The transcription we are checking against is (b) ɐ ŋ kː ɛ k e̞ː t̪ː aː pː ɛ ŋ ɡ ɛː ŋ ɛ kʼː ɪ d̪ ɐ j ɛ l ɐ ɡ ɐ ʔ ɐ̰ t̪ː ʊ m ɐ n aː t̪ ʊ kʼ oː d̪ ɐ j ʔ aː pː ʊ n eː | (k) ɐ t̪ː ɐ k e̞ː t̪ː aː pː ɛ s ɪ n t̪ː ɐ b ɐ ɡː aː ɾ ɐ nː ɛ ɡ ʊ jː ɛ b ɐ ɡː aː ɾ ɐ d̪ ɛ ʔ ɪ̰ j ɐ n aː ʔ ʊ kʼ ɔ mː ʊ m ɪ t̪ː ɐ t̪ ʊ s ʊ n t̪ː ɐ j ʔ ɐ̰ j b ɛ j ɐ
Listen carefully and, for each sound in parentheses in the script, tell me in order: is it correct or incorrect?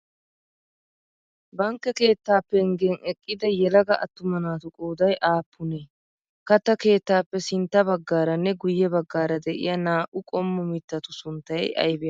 correct, correct

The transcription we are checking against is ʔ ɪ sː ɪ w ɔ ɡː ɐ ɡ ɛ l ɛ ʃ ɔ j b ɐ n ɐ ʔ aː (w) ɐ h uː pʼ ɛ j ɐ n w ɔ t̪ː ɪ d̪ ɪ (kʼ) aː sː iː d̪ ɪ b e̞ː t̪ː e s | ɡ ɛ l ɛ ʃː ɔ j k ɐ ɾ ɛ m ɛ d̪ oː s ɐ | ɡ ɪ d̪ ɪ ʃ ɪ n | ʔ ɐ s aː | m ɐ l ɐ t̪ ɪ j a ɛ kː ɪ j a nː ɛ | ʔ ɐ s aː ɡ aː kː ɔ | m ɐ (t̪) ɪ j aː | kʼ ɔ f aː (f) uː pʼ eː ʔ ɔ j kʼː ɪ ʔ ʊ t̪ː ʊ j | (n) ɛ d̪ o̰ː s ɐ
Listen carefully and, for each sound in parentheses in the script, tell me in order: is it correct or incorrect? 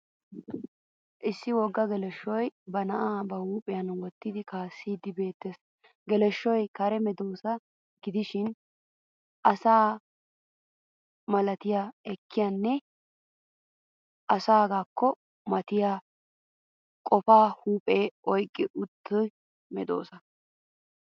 incorrect: b, incorrect: k, correct, incorrect: h, incorrect: m

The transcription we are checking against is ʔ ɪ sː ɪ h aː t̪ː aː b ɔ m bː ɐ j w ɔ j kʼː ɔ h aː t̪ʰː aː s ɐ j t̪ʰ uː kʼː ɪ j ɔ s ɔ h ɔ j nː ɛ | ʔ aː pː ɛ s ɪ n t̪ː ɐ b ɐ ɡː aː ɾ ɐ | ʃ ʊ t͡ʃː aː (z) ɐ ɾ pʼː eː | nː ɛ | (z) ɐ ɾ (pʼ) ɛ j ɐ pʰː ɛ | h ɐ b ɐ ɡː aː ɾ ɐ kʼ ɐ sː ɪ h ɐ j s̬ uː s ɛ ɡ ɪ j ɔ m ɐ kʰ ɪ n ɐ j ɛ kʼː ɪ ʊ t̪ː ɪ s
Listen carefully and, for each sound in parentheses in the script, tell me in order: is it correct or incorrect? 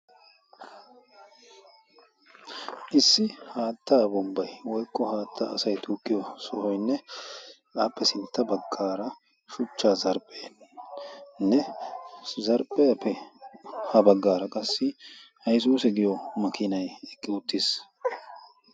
correct, correct, correct

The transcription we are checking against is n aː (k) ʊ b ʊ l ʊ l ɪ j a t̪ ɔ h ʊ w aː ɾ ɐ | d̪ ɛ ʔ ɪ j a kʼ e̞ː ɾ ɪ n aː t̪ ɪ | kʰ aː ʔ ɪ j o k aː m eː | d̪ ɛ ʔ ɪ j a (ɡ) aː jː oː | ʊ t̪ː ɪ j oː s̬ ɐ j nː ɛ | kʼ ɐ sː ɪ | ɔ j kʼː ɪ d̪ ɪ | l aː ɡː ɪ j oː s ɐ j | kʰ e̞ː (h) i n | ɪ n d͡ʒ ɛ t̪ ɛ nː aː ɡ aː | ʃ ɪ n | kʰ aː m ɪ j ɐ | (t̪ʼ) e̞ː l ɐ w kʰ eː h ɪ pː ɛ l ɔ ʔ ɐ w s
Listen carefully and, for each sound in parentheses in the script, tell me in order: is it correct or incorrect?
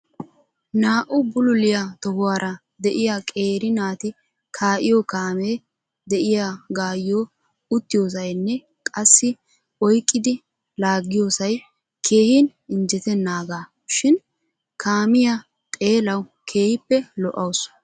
incorrect: ʔ, correct, correct, correct

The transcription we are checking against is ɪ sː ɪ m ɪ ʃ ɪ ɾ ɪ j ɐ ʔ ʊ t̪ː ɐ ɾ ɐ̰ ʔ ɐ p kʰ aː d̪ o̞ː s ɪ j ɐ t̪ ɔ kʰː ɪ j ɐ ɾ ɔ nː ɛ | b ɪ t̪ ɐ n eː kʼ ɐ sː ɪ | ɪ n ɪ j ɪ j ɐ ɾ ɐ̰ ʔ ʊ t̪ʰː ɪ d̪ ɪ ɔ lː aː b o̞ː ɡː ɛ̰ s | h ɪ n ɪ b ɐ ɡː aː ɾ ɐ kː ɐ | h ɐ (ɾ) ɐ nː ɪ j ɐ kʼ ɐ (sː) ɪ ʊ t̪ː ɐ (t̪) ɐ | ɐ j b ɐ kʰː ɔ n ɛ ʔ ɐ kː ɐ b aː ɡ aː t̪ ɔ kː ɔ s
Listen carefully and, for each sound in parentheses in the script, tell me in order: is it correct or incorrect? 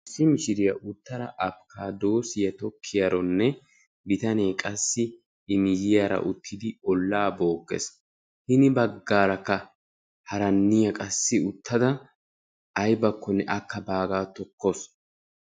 correct, correct, incorrect: d̪

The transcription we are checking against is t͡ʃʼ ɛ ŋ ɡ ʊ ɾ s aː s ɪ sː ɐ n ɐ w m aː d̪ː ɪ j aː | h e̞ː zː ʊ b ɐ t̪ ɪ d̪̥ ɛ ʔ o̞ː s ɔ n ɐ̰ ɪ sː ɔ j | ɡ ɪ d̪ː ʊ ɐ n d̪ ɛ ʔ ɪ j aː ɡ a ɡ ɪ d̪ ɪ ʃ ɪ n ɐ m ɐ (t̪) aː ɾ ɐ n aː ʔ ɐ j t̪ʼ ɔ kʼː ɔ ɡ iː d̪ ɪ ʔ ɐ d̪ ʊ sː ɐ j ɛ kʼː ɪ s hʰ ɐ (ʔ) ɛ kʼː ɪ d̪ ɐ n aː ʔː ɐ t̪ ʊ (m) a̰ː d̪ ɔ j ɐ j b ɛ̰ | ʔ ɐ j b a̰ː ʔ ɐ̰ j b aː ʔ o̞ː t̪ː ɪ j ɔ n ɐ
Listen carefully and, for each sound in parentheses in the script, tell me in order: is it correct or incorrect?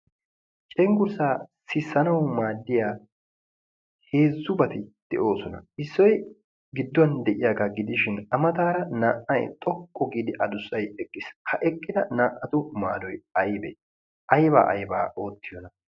correct, correct, correct

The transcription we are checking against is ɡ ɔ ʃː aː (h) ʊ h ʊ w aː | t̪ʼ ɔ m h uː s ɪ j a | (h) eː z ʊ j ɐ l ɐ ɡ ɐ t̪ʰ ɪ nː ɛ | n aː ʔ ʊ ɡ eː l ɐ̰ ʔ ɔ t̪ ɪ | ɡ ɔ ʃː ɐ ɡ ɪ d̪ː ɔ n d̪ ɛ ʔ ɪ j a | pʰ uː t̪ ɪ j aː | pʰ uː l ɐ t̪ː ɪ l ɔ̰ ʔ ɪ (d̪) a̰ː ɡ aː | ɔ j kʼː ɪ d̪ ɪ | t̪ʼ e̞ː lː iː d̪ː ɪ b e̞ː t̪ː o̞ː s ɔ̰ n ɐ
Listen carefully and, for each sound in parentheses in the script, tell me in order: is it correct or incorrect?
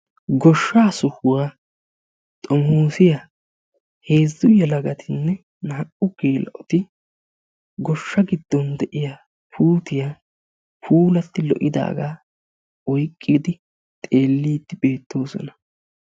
incorrect: s, correct, correct

